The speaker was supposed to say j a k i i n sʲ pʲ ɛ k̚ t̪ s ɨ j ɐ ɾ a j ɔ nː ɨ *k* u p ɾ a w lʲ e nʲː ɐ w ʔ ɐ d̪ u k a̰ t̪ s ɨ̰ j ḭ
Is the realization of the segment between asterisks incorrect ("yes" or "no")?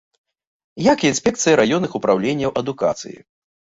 yes